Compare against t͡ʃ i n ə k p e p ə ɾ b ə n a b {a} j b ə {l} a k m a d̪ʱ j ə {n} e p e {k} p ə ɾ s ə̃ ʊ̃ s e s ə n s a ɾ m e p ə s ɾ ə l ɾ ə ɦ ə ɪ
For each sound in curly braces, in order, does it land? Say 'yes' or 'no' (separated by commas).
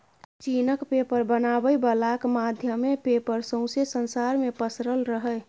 no, yes, no, no